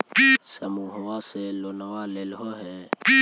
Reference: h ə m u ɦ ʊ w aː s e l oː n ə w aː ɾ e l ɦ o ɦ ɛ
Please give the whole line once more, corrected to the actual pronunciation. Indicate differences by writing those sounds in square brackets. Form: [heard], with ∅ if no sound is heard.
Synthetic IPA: [s] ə m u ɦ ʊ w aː s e l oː n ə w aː [l] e l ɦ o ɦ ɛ